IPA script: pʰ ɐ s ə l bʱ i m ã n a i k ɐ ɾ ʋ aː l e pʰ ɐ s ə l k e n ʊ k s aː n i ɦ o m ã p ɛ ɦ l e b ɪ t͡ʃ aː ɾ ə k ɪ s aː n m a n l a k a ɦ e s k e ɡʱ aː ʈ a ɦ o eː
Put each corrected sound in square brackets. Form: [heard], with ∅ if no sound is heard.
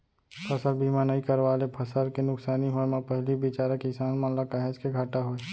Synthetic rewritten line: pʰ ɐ s ə l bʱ i m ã n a i k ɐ ɾ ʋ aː l e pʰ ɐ s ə l k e n ʊ k s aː n i ɦ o m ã p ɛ ɦ l [i] b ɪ t͡ʃ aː ɾ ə k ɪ s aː n m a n l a k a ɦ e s k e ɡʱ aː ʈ a ɦ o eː